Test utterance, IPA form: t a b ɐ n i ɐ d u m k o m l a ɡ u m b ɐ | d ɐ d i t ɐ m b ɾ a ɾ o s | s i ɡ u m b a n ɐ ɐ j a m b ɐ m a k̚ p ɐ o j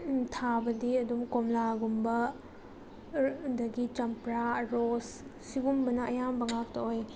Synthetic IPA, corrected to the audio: tʰ a b ɐ d i ɐ d u m k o m l a ɡ u m b ɐ | d ɐ ɡ i t͡ʃ ɐ m p ɾ a ɾ o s | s i ɡ u m b ɐ n ɐ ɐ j a m b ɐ ŋ a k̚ t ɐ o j